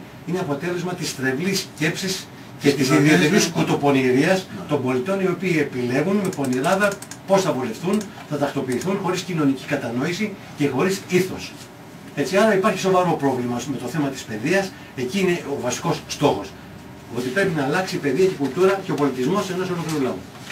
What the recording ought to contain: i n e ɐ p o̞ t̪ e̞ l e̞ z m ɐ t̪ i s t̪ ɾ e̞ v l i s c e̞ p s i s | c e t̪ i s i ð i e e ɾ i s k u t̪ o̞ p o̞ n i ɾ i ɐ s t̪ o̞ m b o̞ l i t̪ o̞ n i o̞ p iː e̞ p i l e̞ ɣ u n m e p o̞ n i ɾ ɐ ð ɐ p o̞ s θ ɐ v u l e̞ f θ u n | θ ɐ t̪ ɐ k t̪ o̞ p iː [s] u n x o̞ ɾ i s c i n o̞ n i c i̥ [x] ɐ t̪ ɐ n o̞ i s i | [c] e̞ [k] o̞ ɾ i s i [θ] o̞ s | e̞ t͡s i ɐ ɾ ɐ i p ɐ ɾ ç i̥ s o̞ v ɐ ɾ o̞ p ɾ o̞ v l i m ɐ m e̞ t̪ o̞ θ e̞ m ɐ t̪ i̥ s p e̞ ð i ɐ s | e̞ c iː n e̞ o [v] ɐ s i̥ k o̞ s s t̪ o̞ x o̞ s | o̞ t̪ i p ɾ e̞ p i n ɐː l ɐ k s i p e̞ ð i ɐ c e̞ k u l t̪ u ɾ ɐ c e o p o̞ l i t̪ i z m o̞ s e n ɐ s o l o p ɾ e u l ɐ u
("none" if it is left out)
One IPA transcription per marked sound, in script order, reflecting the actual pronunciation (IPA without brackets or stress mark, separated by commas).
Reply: θ, k, c, x, θ, v